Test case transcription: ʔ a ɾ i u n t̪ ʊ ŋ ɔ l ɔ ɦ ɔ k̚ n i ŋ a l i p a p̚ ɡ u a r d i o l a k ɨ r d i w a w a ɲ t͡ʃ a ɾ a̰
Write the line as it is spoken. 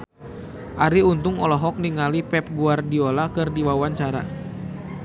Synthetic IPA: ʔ a ɾ i u n t̪ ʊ ŋ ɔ l ɔ ɦ ɔ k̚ n i ŋ a l i p ɛ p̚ ɡ u a r d i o l a k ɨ r d i w a w a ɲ t͡ʃ a ɾ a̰

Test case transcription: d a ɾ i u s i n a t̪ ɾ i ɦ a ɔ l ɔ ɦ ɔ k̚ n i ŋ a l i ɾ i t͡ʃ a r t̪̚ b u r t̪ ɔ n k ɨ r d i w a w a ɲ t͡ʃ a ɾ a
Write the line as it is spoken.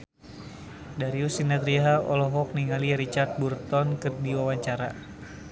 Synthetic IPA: d a ɾ i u s i n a t̪ ɾ i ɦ a ɔ l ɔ ɦ ɔ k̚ n i ŋ a l i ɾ i t͡ʃ a r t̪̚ b u r t̪ ɔ n k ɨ r d i w a w a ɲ t͡ʃ a ɾ a

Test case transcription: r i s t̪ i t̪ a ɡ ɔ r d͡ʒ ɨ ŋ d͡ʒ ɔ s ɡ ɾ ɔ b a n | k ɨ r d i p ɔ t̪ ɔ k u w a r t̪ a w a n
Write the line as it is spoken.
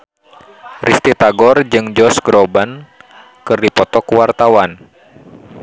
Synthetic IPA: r i s t̪ i t̪ a ɡ ɔ r d͡ʒ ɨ ŋ d͡ʒ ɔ s ɡ ɾ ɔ b a n | k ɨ r d i p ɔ t̪ ɔ k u w a r t̪ a w a n

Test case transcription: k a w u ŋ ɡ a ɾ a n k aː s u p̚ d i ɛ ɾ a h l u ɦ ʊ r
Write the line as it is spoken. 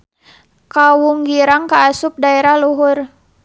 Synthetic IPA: k a w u ŋ ɡ i ɾ a ŋ k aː s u p̚ d a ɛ ɾ a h l u ɦ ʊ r

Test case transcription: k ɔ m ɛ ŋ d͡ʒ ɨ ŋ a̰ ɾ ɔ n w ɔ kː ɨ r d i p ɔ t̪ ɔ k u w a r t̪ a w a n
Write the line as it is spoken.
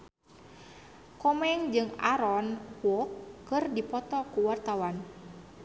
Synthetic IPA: k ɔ m ɛ ŋ d͡ʒ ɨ ŋ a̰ ɾ ɔ n w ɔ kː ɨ r d i p ɔ t̪ ɔ k u w a r t̪ a w a n

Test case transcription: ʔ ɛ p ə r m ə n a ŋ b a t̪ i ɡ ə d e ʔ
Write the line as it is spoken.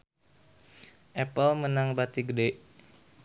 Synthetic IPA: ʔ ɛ p ə l m ə n a ŋ b a t̪ i ɡ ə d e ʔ

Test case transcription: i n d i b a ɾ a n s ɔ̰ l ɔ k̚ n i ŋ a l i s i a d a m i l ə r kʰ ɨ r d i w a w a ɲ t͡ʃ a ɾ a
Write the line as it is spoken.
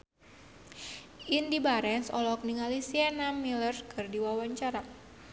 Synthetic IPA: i n d i b a ɾ ɛ n s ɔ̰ l ɔ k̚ n i ŋ a l i s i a n a m i l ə r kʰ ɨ r d i w a w a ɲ t͡ʃ a ɾ a

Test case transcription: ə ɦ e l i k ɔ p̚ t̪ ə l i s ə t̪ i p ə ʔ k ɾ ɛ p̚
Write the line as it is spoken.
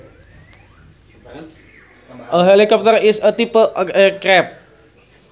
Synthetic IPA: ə ɦ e l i k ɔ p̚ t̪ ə ɾ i s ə t̪ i p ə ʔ k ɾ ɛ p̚

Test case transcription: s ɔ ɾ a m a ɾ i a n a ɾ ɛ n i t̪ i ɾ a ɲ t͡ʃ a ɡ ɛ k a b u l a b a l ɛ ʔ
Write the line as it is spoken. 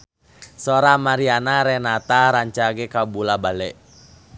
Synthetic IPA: s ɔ ɾ a m a ɾ i a n a ɾ ɛ n a t̪ a ɾ a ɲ t͡ʃ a ɡ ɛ k a b u l a b a l ɛ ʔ

